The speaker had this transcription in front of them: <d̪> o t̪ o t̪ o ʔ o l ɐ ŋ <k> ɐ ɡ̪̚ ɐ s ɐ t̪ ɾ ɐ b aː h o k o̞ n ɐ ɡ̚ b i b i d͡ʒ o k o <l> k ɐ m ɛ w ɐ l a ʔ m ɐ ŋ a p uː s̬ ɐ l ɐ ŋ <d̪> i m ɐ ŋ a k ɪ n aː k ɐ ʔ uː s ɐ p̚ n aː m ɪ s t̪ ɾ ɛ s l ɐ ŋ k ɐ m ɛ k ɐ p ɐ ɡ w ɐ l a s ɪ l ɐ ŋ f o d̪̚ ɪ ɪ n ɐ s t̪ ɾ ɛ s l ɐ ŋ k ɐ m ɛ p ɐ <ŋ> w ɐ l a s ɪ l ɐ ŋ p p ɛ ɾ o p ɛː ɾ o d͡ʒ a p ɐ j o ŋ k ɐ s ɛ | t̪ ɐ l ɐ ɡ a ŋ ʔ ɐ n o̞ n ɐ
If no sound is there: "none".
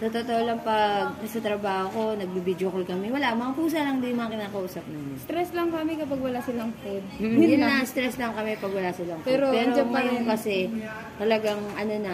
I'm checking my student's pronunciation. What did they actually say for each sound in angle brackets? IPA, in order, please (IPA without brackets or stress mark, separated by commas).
t̪, p, l, d̪, ɡ